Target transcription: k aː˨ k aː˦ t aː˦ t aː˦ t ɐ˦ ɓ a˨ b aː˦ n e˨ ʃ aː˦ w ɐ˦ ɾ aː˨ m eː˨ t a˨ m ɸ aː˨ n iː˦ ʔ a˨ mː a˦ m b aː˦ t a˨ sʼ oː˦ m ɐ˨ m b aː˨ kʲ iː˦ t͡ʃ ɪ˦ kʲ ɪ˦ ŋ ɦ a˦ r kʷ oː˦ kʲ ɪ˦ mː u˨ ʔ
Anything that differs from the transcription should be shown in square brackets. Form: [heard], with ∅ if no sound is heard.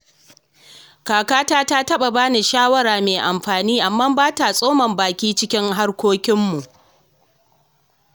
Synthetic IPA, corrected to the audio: k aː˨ k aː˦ t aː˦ t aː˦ t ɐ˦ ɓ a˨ b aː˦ n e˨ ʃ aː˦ w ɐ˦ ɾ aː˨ m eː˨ [ʔ] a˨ m ɸ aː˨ n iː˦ ʔ a˨ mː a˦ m b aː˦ t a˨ sʼ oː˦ m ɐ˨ m b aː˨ kʲ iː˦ t͡ʃ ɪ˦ kʲ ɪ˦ ŋ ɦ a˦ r kʷ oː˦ kʲ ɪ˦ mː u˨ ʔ

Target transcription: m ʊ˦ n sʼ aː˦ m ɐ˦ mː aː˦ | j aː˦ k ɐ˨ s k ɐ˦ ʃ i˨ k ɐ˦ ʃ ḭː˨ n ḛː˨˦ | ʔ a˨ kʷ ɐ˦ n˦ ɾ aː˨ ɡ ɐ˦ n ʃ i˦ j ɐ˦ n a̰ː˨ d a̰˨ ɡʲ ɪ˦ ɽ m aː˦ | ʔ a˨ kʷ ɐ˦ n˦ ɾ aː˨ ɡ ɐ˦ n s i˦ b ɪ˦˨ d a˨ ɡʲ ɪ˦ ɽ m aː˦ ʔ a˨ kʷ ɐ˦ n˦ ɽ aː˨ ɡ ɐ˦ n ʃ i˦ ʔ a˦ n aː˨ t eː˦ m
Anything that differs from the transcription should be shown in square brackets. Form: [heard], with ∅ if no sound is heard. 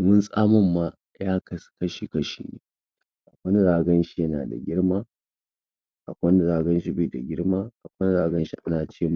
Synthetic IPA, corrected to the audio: m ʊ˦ n sʼ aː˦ m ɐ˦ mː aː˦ | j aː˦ k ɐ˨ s k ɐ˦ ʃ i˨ k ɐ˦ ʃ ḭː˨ n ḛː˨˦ | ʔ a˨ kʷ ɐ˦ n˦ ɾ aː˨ ɡ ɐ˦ n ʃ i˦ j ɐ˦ n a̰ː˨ d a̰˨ ɡʲ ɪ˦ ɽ m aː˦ | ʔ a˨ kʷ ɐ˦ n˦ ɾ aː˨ ɡ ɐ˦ n [ʃ] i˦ b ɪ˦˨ d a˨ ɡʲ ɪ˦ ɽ m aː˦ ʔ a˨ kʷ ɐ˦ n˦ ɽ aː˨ ɡ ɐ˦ n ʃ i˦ ʔ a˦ n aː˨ [t͡ʃ] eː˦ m

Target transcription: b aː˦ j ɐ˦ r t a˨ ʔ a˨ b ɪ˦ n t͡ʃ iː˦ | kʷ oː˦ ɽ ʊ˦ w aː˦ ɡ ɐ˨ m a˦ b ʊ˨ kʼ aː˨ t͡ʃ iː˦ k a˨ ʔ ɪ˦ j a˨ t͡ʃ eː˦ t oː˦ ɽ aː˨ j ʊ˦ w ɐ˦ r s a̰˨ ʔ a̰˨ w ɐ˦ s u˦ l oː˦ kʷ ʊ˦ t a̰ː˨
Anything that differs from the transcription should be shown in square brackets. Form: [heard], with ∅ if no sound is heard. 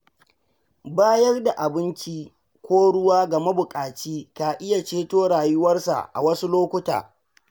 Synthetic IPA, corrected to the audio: b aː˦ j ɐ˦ r [d] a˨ ʔ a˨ b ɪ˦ n t͡ʃ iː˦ | kʷ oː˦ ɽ ʊ˦ w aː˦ ɡ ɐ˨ m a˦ b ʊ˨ kʼ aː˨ t͡ʃ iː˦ k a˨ ʔ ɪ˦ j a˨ t͡ʃ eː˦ t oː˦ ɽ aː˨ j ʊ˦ w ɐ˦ r s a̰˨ ʔ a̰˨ w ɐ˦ s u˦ l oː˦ kʷ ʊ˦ t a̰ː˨

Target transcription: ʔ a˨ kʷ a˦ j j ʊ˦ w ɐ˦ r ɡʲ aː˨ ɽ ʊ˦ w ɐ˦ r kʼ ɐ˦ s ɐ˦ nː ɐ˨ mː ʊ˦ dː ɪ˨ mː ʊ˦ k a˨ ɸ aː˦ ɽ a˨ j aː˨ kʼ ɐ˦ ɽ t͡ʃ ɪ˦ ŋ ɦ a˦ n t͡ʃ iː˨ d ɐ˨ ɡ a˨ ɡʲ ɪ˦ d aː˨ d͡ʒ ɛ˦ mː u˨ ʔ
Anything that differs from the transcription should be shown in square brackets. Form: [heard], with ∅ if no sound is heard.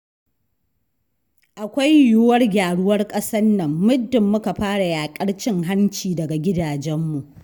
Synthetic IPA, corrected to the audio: ʔ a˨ kʷ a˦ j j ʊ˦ w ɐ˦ r ɡʲ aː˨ ɽ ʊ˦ w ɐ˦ r kʼ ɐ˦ s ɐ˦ nː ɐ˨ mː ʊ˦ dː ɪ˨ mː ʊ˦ k a˨ ɸ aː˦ ɽ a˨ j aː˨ kʼ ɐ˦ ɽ t͡ʃ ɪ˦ ŋ ɦ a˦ n t͡ʃ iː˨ d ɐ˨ ɡ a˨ ɡʲ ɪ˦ d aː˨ d͡ʒ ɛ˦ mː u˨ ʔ

